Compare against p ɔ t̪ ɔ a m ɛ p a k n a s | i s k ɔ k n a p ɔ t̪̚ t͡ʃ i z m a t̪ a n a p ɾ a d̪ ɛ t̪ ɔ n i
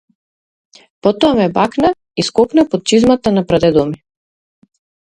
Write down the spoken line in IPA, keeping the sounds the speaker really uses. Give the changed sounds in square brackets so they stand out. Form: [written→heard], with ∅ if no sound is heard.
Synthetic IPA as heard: p ɔ t̪ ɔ a m ɛ [p→b] a k n a [s→∅] | i s k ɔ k n a p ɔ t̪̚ t͡ʃ i z m a t̪ a n a p ɾ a d̪ ɛ [t̪→d̪] ɔ [n→m] i